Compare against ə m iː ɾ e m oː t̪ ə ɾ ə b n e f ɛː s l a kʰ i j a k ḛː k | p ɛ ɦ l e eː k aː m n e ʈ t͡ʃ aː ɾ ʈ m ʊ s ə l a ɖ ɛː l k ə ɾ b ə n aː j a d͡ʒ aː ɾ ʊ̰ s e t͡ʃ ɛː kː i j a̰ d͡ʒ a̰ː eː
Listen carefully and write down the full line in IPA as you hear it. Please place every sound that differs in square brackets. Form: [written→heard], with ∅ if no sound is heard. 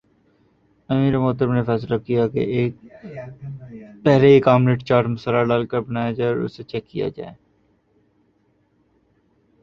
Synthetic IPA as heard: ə m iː ɾ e m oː t̪ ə ɾ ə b n e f ɛː s l a [kʰ→k] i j a k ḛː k | p ɛ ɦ l e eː k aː m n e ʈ t͡ʃ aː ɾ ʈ m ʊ s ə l a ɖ [ɛː→aː] l k ə ɾ b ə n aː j a d͡ʒ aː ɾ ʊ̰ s e t͡ʃ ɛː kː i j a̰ d͡ʒ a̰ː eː